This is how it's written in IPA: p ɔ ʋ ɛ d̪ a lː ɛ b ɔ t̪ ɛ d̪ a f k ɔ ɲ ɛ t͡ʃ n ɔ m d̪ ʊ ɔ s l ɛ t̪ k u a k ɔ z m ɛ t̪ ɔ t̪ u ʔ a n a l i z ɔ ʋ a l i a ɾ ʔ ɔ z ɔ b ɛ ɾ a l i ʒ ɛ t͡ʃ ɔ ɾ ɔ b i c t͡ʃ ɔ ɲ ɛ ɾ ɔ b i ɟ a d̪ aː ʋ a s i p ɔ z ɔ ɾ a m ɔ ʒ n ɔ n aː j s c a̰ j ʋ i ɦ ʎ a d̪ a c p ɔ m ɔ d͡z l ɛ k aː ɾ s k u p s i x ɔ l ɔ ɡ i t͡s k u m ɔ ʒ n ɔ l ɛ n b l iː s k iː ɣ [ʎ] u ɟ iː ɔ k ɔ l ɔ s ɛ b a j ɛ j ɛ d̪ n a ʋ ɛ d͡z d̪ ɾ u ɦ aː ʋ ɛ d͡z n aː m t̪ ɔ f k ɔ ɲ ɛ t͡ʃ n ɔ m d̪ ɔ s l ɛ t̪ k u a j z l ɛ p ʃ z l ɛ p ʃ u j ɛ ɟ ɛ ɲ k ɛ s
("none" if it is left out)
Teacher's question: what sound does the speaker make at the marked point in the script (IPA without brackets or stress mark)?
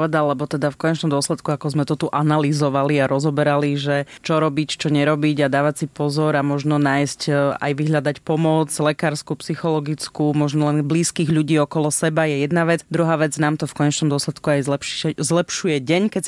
ʎ